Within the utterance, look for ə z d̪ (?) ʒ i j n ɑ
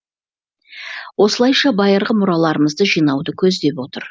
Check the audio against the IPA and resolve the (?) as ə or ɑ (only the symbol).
ə